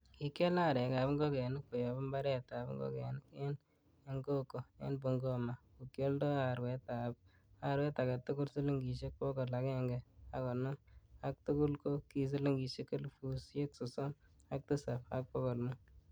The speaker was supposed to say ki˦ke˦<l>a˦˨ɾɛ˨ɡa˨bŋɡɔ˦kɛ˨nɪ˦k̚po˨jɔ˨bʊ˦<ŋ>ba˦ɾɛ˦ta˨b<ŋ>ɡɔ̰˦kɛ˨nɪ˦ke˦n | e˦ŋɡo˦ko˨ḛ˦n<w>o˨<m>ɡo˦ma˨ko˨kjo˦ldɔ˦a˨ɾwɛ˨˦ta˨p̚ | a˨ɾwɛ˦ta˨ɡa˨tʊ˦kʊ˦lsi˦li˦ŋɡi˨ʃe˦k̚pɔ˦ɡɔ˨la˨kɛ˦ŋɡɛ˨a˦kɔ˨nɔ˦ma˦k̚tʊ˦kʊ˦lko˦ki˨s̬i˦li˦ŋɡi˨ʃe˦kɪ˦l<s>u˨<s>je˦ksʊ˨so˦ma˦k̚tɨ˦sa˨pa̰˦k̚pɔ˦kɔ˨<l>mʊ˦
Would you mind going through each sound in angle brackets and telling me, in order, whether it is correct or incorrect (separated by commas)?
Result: correct, incorrect, correct, incorrect, incorrect, incorrect, correct, correct